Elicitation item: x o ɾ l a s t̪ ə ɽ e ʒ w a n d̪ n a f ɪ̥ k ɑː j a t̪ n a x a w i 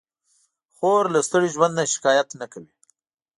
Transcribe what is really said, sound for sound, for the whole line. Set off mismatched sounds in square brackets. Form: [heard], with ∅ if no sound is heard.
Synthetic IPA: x o ɾ l a s t̪ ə ɽ [i] ʒ w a n d̪ n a [ʃ] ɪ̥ k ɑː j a t̪ n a [k] a w i